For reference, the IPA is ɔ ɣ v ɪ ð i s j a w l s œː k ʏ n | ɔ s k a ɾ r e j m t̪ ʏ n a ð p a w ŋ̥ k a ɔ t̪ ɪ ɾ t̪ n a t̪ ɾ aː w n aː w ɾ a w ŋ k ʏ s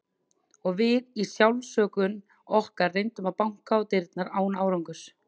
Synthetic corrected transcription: ɔ ɣ v ɪ ð i s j a w l s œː k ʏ n | ɔ h k a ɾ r e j n t̪ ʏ m a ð p a w ŋ̥ k a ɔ t̪ ɪ ɾ t̪ n a ɾ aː w n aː w ɾ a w ŋ k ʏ s